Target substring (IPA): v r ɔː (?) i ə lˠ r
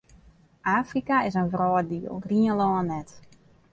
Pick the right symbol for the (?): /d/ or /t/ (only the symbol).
d